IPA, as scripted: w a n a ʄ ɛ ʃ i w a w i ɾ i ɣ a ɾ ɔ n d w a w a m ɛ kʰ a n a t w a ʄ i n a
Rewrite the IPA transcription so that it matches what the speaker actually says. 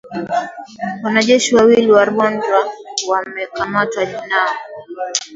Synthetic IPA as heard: w a n a ʄ ɛ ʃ i w a w i l i w a ɾ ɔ n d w a w a m ɛ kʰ a m a t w a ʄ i n a